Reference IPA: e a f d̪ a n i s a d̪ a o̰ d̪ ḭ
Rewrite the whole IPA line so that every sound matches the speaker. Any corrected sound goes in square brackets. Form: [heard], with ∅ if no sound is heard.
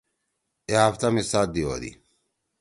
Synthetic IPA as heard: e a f [t̪] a [m] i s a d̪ [i] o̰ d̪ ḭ